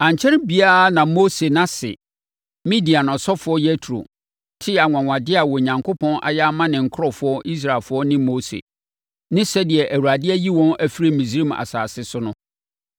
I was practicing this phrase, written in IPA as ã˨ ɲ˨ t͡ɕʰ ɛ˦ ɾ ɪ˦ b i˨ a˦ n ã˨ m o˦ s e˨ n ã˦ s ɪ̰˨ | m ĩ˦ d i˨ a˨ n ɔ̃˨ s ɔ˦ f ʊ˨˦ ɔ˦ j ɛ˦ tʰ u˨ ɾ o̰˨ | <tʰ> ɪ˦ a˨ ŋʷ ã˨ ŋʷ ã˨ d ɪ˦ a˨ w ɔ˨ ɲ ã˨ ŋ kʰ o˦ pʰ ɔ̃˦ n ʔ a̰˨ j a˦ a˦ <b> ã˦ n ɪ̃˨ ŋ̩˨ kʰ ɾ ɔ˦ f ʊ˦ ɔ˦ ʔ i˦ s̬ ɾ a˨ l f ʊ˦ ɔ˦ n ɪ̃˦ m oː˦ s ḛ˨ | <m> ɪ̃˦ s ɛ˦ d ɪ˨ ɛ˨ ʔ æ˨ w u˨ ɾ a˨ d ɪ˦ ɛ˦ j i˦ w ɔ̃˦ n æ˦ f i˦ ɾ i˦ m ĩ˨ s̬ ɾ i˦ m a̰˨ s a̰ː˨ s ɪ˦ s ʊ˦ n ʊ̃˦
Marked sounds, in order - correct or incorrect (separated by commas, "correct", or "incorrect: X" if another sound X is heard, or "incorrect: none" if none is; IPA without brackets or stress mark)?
correct, incorrect: m, incorrect: n